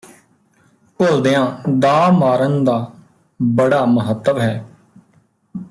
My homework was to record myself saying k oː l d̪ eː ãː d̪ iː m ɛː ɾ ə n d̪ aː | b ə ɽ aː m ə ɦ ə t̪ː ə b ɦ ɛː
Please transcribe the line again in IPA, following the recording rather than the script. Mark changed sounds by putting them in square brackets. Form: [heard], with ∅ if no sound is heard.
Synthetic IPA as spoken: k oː l d̪ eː ãː d̪ [aː] m [aː] ɾ ə n d̪ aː | b ə ɽ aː m ə ɦ ə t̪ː ə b ɦ ɛː